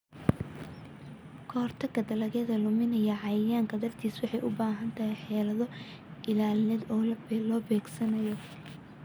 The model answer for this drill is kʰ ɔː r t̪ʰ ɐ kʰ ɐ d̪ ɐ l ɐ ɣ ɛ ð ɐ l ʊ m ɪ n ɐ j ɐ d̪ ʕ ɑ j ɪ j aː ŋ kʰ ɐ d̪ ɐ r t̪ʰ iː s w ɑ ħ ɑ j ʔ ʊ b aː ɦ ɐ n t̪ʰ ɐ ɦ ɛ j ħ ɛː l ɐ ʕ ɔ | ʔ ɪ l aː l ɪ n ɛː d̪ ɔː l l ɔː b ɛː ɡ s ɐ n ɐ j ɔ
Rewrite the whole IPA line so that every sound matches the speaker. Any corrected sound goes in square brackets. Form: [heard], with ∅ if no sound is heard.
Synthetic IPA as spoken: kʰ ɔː r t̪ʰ ɐ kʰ ɐ d̪ ɐ l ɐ ɣ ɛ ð ɐ l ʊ m ɪ n ɐ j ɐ [∅] ʕ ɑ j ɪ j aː ŋ kʰ ɐ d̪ ɐ r t̪ʰ iː s w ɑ ħ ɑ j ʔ ʊ b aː ɦ ɐ n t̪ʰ ɐ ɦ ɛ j ħ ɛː l ɐ [ð] ɔ | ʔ ɪ l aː l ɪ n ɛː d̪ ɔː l l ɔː b ɛː ɡ s ɐ n ɐ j ɔ